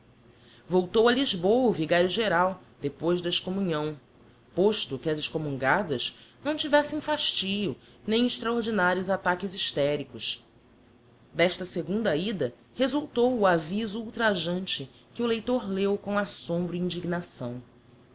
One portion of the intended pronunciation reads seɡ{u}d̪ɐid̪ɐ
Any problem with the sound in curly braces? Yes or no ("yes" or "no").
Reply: yes